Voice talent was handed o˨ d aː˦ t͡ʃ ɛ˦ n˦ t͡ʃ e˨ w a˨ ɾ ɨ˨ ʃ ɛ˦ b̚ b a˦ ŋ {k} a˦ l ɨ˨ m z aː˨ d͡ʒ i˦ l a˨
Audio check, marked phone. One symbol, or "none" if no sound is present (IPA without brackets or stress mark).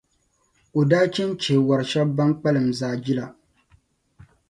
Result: k͡p